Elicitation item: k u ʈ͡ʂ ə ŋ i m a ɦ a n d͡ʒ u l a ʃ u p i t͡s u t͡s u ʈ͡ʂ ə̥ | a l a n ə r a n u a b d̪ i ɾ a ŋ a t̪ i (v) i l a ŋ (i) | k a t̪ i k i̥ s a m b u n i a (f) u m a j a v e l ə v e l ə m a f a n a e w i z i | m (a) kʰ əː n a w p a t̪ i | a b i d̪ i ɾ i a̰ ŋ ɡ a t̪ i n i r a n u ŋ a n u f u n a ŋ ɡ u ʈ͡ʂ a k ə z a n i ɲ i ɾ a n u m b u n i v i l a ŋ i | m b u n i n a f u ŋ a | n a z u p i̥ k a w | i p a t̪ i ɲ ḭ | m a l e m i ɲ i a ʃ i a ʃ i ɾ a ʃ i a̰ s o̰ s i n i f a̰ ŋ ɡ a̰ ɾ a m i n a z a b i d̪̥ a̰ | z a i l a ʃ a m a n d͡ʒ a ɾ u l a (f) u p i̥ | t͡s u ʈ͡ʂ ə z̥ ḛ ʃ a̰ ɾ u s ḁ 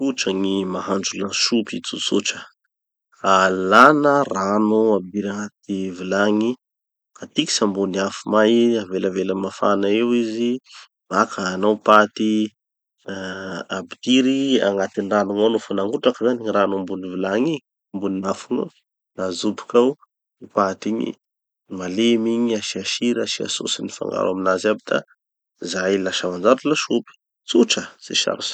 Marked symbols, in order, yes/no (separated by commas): yes, yes, yes, yes, no